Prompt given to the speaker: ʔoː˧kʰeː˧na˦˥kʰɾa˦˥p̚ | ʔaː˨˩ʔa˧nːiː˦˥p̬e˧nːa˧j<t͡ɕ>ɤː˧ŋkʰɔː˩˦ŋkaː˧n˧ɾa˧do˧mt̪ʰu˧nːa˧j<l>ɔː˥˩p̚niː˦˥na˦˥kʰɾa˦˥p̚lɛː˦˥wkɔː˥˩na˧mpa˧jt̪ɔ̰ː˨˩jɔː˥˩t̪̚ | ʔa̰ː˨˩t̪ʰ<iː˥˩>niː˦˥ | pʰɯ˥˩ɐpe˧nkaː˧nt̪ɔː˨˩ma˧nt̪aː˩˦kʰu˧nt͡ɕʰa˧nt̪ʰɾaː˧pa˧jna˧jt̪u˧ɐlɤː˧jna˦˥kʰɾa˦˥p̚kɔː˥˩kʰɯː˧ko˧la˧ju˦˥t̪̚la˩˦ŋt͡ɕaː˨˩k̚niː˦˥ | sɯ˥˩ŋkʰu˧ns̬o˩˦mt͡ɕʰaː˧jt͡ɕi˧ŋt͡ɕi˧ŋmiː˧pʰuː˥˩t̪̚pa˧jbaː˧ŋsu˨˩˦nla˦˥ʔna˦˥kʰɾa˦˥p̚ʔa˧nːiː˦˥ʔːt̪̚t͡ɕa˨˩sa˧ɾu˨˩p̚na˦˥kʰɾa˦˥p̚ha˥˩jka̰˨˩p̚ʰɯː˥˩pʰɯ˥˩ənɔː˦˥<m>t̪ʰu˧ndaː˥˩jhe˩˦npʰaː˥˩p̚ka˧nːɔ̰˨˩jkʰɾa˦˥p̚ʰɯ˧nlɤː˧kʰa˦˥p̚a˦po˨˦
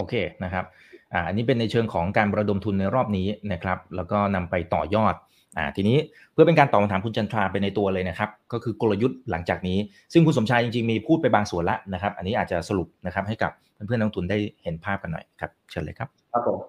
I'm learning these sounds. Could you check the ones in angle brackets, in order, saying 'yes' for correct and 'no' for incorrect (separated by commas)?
no, no, no, no